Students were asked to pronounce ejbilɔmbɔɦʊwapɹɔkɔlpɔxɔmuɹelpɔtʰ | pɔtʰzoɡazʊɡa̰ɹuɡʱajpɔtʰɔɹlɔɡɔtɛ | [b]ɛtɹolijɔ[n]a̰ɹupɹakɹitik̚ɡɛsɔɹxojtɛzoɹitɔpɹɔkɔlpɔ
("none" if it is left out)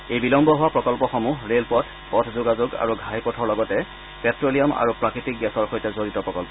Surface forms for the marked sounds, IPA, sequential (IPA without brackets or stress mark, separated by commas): p, m